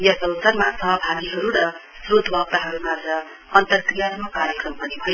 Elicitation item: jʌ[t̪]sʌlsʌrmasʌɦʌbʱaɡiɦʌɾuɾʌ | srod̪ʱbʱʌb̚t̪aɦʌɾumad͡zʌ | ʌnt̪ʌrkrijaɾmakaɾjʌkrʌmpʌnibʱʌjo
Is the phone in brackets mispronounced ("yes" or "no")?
yes